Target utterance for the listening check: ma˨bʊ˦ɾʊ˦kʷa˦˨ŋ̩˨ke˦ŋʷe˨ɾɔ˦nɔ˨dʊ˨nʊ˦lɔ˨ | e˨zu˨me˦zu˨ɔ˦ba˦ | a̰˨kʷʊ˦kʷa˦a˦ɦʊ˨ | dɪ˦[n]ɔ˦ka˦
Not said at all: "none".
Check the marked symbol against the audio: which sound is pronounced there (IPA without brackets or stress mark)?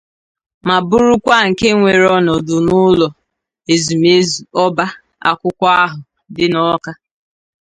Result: n